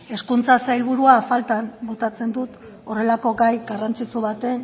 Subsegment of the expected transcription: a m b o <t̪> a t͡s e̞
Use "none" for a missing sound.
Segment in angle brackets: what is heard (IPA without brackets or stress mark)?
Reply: t̪